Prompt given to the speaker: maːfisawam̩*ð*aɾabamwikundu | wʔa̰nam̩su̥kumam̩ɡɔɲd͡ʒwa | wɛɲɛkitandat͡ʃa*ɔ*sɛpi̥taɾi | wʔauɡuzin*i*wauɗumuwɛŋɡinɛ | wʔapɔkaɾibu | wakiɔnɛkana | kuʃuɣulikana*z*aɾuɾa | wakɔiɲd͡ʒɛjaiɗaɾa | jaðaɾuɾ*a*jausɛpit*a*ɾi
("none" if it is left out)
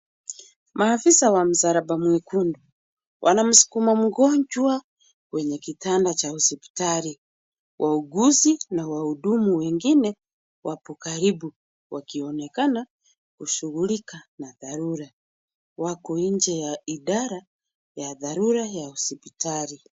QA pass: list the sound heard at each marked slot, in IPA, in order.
z, u, a, ð, a, a

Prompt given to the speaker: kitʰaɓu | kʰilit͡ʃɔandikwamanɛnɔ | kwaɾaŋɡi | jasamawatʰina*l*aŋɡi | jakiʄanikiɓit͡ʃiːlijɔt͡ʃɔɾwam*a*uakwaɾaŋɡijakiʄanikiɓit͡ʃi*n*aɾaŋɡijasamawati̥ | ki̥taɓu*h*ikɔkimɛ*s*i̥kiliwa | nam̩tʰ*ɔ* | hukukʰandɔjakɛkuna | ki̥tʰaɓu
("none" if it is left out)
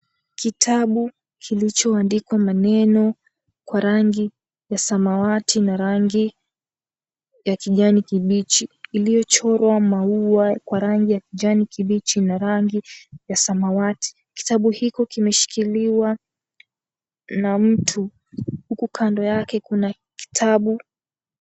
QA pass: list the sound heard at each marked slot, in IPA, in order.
ɾ, a, n, h, ʃ, u

